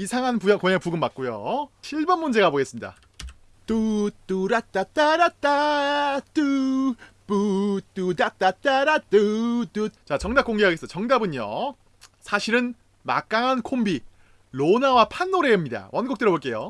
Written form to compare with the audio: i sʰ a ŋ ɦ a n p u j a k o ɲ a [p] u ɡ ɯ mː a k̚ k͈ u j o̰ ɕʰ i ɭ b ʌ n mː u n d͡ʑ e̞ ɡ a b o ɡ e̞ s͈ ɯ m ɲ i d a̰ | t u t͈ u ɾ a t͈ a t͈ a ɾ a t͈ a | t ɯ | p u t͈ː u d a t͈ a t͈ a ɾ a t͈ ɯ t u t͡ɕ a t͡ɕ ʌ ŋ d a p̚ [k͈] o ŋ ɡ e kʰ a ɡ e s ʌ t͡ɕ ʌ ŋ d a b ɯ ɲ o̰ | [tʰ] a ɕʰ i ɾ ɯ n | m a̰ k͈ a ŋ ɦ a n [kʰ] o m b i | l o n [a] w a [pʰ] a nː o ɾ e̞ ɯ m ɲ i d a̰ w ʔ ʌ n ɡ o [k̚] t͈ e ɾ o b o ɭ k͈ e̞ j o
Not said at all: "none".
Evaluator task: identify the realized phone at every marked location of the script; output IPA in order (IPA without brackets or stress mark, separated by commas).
p, k͈, sʰ, kʰ, a, pʰ, k̚